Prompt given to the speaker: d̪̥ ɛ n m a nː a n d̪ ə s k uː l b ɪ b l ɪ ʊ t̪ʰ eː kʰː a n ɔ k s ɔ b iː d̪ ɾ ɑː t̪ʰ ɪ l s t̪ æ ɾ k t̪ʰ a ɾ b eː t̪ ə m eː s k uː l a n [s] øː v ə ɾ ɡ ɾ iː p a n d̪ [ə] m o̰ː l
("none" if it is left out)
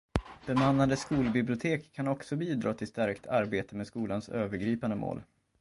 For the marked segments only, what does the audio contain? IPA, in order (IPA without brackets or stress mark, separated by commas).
s, ə